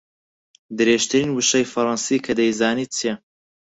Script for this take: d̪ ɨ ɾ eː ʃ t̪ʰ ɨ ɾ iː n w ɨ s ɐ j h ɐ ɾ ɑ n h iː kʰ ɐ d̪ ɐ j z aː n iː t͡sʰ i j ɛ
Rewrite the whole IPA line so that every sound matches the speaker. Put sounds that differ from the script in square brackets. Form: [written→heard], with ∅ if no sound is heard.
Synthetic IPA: d̪ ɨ ɾ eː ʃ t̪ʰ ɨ ɾ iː n w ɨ [s→ʃ] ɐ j [h→f] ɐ ɾ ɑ n [h→s] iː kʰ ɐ d̪ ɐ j z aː n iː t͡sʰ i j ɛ